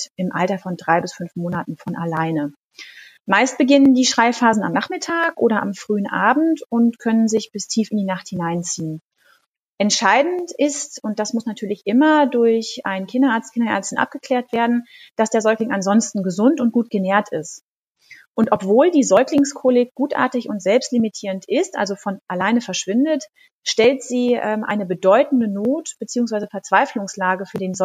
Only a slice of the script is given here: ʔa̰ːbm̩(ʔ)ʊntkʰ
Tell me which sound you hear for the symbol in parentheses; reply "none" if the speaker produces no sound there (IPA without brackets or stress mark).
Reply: t